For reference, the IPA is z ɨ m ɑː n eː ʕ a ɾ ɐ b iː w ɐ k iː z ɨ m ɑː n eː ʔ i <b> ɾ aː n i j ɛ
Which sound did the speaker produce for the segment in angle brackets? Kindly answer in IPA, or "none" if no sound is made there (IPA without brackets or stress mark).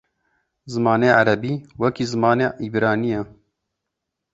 b